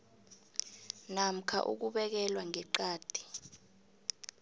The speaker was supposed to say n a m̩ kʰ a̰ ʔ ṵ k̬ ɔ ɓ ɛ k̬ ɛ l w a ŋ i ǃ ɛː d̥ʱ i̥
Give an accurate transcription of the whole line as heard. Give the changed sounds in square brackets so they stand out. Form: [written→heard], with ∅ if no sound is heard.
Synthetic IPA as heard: n a m̩ kʰ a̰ ʔ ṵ k̬ [ɔ→u] ɓ ɛ k̬ ɛ l w a ŋ [i→ɛ] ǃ [ɛː→aː] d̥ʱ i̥